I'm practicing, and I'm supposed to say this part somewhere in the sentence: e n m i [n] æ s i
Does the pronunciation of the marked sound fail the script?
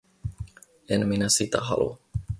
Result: no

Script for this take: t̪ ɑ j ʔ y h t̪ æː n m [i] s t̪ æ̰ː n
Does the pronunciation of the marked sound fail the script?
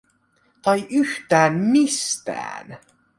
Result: no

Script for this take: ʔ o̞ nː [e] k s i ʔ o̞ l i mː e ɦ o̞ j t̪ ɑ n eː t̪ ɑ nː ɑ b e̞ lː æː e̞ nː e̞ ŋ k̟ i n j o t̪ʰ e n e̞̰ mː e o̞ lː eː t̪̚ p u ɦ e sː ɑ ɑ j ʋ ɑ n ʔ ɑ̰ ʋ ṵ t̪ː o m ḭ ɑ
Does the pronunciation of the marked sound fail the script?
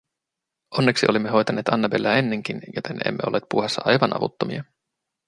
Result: no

